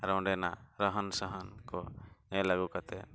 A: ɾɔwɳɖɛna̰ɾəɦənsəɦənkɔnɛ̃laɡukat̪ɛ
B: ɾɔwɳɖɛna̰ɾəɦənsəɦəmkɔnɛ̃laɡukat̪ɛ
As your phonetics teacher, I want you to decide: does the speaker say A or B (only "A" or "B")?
A